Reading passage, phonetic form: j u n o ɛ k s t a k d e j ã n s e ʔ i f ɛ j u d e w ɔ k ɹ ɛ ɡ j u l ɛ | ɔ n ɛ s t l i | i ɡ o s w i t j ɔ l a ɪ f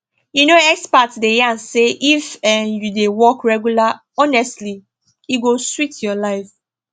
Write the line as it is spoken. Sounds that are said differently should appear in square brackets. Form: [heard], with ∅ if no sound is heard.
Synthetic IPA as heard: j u n o ɛ k s [p] a [t] d e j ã n s e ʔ i f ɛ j u d e w ɔ k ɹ ɛ ɡ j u l [a] | ɔ n ɛ s t l i | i ɡ o s w i t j ɔ l a ɪ f